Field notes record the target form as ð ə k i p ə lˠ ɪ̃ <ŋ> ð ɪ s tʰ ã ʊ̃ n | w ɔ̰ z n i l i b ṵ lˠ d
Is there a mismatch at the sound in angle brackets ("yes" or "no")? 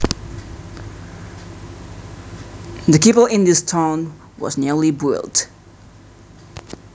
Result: yes